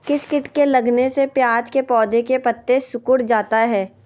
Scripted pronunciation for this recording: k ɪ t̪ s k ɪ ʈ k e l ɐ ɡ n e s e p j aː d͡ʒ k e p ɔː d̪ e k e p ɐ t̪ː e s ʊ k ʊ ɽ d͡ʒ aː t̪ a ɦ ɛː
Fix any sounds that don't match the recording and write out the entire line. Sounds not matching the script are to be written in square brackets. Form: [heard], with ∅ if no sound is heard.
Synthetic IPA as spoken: k ɪ [∅] s k ɪ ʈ k e l ɐ ɡ n e s e p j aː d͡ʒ k e p ɔː d̪ e k e p ɐ t̪ː e s ʊ k ʊ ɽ d͡ʒ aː t̪ a ɦ ɛː